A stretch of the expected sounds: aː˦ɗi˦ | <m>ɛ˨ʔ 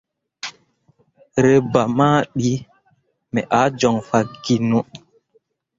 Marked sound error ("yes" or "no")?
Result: no